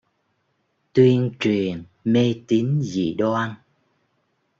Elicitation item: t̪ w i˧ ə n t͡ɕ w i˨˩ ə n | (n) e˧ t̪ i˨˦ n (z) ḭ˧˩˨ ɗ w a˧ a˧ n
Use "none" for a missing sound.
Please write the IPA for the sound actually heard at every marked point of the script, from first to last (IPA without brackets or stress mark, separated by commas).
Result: m, z